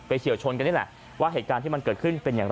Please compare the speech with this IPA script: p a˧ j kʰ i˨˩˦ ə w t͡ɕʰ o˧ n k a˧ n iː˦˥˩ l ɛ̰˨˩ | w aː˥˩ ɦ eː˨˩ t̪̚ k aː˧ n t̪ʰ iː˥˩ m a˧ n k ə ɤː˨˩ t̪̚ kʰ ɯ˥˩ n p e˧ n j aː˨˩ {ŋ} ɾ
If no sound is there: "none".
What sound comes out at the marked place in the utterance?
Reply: ŋ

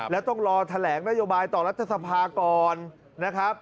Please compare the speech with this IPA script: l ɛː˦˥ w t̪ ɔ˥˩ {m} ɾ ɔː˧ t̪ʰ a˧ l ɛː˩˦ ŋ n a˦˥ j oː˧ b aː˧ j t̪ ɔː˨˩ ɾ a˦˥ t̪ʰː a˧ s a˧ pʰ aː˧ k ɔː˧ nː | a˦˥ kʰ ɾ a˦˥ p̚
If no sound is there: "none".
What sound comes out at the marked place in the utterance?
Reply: ŋ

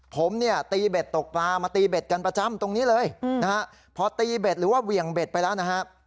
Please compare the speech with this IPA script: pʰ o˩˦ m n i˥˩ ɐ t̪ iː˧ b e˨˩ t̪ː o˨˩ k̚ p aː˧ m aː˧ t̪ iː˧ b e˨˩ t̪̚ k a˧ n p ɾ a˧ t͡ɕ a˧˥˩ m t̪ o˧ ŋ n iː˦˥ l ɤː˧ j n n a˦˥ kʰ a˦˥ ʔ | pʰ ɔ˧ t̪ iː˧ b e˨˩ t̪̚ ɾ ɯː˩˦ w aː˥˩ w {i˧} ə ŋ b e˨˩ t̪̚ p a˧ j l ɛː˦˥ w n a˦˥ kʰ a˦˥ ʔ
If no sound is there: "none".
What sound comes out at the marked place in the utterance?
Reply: i˨˩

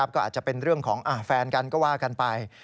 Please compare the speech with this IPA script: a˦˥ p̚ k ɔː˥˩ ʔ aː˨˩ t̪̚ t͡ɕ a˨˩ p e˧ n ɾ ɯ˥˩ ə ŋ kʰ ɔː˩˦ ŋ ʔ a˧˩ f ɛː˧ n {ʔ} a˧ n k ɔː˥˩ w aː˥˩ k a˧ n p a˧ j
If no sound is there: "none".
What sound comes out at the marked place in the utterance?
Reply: k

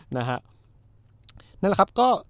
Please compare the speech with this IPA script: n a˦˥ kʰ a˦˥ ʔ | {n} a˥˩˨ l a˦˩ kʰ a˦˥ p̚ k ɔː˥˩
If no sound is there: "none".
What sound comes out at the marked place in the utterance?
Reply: n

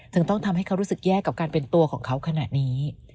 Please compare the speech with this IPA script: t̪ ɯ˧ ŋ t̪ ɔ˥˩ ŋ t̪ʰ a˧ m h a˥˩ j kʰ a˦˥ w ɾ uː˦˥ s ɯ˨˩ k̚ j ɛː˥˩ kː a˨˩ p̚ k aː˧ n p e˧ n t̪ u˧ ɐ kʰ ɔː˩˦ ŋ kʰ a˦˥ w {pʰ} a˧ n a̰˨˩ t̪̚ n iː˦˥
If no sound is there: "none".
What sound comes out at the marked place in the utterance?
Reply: kʰ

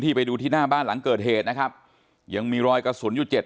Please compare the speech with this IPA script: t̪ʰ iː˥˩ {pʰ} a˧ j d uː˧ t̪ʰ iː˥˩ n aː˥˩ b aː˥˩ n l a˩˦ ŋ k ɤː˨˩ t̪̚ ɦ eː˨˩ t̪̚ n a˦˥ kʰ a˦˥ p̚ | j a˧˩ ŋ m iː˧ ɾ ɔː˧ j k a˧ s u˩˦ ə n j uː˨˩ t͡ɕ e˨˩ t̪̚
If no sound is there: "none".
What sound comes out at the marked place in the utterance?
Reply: p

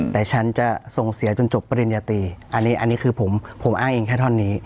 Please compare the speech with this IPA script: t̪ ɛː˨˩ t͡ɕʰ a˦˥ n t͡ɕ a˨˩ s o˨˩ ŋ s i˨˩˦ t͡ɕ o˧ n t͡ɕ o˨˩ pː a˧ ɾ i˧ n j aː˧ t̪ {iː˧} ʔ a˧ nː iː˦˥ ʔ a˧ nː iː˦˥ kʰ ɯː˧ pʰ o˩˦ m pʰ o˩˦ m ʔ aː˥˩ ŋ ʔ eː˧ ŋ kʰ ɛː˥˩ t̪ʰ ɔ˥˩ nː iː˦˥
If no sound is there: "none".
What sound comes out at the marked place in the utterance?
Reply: iː˧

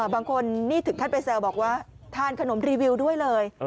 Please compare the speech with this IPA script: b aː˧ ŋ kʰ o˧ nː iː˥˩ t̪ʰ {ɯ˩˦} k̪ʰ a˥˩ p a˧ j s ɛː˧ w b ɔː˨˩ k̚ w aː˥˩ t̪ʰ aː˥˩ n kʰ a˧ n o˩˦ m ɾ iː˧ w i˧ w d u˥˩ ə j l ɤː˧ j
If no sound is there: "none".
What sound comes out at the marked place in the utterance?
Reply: ɯ˩˦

